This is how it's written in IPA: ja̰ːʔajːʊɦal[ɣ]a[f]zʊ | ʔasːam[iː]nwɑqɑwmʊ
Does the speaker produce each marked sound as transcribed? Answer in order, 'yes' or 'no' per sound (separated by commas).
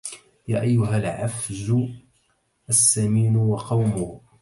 no, yes, yes